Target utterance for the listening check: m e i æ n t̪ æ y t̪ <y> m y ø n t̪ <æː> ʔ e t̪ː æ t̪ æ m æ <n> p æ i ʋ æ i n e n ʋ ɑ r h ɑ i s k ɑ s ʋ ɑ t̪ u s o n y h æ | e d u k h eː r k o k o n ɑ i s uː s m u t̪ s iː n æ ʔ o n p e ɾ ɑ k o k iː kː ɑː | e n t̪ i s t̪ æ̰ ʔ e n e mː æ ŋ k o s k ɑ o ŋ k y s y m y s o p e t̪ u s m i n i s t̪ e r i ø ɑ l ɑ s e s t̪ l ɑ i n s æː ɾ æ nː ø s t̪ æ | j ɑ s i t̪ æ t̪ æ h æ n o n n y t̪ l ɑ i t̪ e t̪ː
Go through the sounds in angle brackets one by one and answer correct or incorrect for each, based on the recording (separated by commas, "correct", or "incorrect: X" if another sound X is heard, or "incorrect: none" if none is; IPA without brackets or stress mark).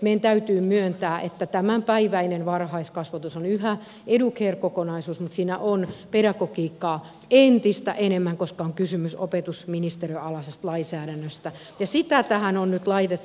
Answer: incorrect: yː, correct, incorrect: m